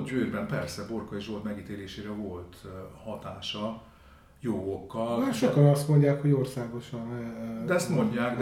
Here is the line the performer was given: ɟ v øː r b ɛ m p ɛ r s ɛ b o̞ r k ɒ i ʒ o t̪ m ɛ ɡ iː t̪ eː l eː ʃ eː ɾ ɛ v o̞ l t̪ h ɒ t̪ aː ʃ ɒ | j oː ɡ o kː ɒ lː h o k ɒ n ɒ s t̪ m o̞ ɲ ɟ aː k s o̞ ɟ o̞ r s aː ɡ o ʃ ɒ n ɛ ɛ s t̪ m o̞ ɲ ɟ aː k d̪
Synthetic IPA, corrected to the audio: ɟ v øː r b ɛ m p ɛ r s ɛ b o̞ r k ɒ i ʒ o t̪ m ɛ ɡ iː t̪ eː l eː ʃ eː ɾ ɛ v o̞ l t̪ h ɒ t̪ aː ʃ ɒ | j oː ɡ o kː ɒ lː ʃ o k ɒ n ɒ s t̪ m o̞ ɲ ɟ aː k h o̞ ɟ o̞ r s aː ɡ o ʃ ɒ n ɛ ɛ s t̪ m o̞ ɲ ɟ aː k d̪